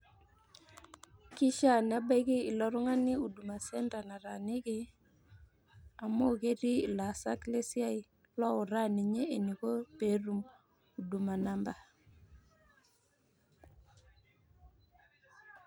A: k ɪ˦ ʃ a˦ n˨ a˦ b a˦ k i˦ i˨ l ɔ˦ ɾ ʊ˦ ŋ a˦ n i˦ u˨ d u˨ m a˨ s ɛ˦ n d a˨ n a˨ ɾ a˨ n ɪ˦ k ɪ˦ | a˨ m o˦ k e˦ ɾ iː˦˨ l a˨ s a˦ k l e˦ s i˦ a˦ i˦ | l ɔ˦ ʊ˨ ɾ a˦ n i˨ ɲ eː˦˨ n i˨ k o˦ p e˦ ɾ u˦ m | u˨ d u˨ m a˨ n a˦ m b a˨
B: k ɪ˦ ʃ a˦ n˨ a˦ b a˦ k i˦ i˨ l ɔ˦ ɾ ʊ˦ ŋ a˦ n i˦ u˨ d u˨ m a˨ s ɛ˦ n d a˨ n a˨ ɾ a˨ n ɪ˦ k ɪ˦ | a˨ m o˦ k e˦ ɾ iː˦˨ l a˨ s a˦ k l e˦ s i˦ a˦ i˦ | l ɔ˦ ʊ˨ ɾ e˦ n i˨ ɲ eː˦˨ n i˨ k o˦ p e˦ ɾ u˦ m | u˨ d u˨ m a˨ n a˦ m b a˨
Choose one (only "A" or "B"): A